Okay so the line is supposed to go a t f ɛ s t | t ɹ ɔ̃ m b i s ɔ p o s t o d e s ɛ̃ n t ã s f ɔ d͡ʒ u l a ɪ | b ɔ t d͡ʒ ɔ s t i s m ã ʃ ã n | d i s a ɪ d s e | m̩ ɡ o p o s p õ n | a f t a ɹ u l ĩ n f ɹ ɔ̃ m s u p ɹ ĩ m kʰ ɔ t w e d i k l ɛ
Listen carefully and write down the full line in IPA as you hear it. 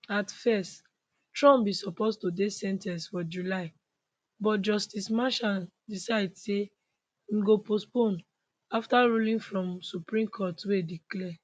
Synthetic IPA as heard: a t f ɛ s t | t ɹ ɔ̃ m b i s ɔ p o s t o d e s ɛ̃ n t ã s f ɔ d͡ʒ u l a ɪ | b ɔ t d͡ʒ ɔ s t i s m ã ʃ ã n | d i s a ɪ d s e | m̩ ɡ o p o s p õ n | a f t a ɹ u l ĩ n f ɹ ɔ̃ m s u p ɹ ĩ m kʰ ɔ t w e d i k l ɛ